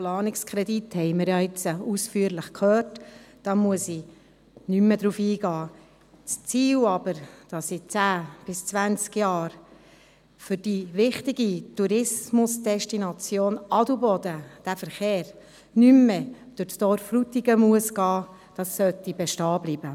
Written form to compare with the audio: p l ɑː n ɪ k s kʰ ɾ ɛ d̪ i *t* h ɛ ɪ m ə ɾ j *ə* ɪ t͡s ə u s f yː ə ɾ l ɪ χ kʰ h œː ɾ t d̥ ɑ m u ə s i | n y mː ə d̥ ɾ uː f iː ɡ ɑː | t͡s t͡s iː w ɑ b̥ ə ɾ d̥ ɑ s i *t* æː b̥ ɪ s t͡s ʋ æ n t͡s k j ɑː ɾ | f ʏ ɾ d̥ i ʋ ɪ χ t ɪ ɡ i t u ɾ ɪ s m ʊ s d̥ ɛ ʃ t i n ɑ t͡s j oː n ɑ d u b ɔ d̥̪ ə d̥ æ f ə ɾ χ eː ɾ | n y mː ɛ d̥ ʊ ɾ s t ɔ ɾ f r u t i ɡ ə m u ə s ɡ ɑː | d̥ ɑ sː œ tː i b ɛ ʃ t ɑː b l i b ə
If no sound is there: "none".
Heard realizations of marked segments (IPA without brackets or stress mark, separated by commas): t, ɑ, t͡s